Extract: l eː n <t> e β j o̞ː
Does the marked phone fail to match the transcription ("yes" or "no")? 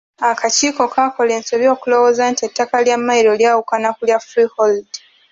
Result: yes